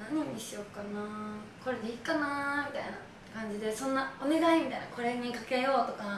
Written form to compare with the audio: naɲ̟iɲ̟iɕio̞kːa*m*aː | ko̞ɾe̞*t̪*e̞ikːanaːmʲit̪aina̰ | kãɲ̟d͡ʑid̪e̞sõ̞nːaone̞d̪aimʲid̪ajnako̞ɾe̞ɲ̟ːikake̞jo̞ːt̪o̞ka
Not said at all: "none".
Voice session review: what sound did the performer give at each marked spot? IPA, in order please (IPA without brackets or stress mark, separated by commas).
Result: n, d̪